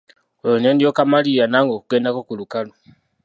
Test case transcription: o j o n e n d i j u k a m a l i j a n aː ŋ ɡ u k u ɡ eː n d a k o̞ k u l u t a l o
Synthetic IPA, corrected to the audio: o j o n e n d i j o k a m a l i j a n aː ŋ ɡ o k u ɡ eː n d a k o̞ k u l u k a l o